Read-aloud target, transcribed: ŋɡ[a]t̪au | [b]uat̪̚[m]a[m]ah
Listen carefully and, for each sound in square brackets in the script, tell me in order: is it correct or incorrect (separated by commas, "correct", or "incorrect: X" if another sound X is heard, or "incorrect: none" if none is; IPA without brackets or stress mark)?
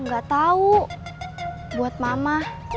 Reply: correct, correct, correct, correct